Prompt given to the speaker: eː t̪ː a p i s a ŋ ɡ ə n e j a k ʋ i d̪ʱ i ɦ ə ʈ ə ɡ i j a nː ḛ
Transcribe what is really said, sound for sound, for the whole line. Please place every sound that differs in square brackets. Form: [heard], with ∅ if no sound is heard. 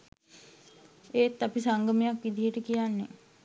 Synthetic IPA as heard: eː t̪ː a p i s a ŋ ɡ ə [m] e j a k ʋ i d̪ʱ i ɦ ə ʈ ə [k] i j a nː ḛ